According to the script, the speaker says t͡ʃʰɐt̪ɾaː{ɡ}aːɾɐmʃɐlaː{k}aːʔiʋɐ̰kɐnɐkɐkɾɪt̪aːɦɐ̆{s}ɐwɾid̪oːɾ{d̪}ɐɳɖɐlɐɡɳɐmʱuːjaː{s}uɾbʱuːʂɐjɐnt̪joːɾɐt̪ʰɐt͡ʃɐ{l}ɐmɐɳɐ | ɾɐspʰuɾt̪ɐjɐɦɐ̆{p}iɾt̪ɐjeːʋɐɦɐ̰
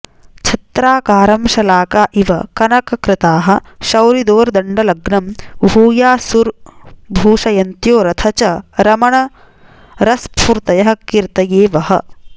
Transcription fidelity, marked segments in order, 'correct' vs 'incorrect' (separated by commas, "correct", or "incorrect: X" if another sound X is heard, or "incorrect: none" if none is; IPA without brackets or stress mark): incorrect: k, correct, incorrect: ʃ, correct, correct, incorrect: ɾ, incorrect: k